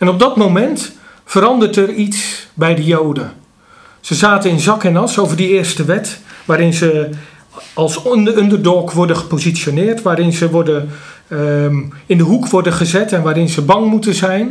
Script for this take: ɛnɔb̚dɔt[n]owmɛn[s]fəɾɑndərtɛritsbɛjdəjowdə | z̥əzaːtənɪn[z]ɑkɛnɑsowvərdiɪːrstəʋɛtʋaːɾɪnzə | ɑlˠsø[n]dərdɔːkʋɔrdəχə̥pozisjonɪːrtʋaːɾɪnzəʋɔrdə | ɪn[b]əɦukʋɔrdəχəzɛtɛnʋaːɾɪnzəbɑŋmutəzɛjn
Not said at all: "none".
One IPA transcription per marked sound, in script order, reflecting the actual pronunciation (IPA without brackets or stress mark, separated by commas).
m, t, z, n, d